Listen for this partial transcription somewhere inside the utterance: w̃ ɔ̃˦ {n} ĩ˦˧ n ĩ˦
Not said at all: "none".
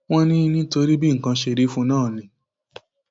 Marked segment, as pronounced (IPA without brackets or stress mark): n